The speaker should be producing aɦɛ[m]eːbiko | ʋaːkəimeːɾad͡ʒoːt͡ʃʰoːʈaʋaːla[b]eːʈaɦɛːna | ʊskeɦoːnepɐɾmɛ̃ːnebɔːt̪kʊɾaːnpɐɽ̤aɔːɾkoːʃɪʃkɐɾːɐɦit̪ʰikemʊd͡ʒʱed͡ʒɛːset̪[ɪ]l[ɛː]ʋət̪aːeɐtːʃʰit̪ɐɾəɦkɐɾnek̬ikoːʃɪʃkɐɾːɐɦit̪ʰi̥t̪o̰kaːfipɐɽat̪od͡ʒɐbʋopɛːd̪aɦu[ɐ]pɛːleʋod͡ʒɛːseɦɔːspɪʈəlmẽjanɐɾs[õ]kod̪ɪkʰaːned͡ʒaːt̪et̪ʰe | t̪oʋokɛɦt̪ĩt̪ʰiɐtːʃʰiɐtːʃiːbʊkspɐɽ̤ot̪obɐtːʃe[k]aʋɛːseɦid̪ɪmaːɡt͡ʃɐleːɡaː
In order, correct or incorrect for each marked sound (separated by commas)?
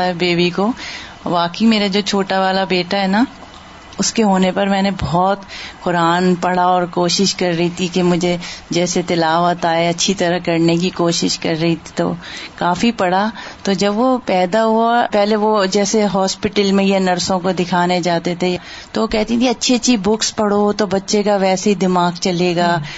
incorrect, correct, correct, incorrect, incorrect, correct, correct